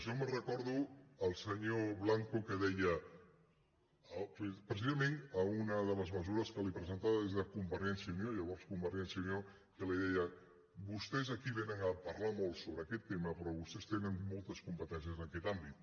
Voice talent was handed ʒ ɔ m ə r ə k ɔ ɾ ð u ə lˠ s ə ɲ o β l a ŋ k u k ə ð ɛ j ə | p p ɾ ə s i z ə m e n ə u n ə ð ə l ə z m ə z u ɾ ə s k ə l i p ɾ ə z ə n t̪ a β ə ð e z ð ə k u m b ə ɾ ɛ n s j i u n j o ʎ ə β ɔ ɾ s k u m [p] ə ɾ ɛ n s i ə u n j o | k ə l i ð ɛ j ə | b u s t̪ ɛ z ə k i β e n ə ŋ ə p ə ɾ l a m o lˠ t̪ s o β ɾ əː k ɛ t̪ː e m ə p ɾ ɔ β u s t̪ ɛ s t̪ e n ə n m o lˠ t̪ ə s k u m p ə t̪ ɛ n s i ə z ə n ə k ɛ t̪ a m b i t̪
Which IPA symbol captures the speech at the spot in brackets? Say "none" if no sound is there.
b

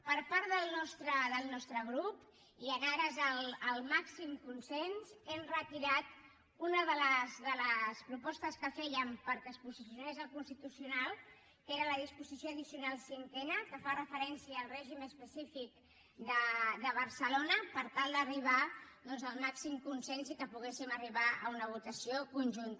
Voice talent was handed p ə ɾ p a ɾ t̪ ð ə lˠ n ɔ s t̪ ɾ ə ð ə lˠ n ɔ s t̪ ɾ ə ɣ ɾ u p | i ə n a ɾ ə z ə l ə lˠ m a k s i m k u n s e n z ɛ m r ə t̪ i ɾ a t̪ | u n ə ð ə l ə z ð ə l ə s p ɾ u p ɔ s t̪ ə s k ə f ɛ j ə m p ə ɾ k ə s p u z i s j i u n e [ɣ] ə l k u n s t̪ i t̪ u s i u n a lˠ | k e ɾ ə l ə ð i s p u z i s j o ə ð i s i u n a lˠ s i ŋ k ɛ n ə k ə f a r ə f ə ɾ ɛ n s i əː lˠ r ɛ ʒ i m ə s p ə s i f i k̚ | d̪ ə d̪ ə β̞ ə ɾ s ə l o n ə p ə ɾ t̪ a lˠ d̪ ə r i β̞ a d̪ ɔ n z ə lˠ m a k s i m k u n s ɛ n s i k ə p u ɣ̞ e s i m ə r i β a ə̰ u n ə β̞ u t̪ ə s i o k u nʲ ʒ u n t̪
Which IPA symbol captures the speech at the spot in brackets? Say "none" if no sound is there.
z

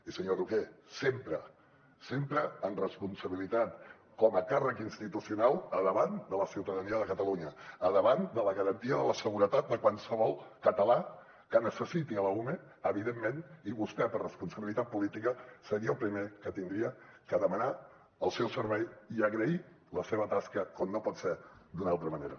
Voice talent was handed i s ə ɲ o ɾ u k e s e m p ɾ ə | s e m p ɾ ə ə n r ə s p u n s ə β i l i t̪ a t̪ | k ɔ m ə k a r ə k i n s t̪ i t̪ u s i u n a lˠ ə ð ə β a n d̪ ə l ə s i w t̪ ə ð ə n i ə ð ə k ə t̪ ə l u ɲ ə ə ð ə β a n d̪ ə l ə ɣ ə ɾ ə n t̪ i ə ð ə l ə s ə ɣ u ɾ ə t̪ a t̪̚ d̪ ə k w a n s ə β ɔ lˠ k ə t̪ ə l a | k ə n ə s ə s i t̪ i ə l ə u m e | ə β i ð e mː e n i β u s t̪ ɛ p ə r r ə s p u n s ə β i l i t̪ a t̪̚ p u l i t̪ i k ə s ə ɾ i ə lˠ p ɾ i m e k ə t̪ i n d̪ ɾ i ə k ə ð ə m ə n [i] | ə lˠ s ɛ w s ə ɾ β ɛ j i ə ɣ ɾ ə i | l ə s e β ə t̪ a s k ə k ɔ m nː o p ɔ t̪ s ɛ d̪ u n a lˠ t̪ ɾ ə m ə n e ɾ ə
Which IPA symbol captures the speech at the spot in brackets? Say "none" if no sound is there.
a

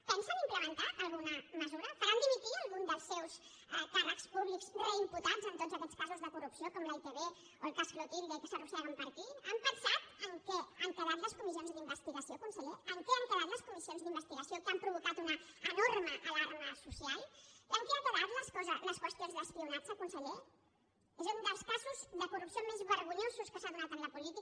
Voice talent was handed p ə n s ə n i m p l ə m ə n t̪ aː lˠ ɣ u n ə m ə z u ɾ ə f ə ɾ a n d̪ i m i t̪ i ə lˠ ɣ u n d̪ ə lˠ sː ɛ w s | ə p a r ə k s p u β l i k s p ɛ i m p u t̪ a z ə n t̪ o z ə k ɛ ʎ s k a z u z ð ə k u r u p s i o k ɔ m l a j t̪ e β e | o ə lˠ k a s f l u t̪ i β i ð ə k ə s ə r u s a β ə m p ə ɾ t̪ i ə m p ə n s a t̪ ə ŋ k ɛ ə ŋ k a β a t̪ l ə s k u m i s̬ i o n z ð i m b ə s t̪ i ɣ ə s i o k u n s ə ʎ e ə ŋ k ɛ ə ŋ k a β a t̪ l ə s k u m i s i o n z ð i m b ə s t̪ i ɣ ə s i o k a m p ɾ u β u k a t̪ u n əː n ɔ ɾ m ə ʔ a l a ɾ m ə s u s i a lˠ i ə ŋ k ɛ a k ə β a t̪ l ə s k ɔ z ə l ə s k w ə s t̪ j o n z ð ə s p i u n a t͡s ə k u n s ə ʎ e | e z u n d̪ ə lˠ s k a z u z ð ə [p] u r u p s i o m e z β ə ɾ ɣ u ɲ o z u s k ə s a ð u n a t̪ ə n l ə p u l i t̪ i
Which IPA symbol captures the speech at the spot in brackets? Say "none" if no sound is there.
k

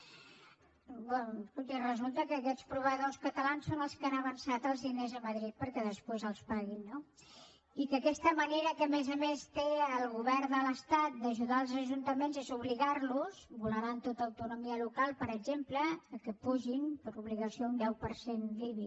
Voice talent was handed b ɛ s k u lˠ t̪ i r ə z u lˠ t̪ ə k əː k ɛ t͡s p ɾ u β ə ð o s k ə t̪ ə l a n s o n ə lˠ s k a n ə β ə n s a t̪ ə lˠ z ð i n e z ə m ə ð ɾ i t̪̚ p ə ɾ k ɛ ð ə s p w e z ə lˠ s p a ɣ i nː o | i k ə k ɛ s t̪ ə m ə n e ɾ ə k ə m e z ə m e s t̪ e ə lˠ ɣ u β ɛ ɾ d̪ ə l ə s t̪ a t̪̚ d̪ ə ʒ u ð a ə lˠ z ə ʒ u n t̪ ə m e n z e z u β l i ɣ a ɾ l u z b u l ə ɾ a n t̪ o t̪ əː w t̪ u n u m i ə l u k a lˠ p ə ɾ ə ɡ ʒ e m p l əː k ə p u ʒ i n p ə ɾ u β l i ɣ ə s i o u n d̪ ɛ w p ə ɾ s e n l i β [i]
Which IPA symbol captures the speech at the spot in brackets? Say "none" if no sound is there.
i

